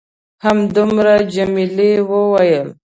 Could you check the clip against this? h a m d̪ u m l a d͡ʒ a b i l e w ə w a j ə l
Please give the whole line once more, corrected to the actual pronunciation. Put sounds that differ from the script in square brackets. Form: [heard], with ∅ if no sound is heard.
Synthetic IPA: h a m d̪ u m [ɾ] a d͡ʒ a [m] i l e w ə w a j ə l